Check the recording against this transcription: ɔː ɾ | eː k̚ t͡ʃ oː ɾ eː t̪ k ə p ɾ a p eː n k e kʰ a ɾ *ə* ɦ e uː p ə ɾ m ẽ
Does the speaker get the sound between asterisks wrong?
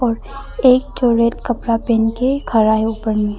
yes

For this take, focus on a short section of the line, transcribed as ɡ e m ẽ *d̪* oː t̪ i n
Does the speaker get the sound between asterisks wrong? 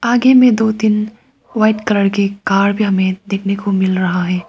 no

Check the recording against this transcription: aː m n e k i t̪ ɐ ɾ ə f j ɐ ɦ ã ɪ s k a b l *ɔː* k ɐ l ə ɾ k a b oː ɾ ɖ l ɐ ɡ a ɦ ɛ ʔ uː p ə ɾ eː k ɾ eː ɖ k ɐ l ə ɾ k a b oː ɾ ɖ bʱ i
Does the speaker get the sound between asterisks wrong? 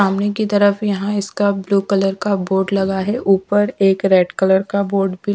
yes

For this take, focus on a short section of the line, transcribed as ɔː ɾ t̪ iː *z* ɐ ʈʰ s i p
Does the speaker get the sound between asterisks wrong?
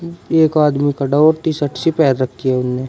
yes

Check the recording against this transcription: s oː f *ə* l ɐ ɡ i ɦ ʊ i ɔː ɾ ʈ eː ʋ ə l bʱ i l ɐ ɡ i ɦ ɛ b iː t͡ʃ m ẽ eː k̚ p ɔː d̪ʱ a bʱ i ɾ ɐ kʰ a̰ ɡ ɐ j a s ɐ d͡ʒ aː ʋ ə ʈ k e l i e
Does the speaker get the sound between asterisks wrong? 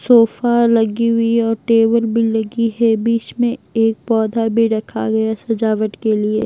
yes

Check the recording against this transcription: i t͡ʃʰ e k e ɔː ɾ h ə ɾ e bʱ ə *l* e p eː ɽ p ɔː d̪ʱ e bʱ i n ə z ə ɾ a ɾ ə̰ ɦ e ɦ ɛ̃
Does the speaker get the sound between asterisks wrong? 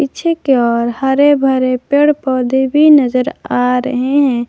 yes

